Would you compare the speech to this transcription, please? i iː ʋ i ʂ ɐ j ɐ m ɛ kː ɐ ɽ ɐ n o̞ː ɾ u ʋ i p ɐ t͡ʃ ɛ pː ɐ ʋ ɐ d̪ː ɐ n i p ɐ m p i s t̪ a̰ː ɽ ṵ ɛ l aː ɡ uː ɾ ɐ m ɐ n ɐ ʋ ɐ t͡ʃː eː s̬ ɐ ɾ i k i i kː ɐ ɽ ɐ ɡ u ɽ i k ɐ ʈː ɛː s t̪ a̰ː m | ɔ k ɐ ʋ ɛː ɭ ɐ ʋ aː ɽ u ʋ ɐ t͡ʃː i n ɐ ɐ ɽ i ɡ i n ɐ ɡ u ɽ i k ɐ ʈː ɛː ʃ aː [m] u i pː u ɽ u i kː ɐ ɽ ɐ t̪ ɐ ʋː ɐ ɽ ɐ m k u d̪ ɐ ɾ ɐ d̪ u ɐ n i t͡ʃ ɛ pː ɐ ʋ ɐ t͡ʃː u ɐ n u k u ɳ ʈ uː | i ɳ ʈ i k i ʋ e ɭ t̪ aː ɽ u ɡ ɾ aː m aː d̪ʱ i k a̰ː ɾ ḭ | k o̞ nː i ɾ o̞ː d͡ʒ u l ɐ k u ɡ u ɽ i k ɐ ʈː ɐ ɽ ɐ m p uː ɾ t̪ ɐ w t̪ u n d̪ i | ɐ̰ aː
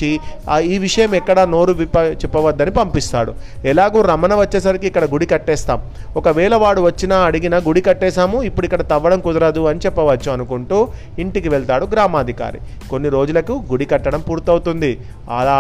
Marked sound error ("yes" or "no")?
no